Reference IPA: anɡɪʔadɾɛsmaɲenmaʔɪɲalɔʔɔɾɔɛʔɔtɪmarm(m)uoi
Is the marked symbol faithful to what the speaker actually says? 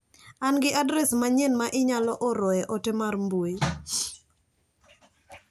no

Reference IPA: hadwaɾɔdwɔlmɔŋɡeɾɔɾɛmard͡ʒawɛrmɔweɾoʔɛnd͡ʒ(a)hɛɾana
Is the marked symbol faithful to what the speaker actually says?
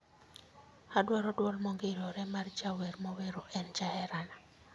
yes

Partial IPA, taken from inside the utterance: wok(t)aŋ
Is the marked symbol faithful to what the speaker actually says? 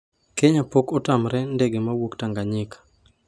yes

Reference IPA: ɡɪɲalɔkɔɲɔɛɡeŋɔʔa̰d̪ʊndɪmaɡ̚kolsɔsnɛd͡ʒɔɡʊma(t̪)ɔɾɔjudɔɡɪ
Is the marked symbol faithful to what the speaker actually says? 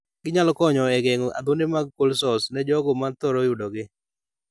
yes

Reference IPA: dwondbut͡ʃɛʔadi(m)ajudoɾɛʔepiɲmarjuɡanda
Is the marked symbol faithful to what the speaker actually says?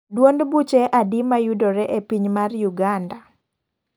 yes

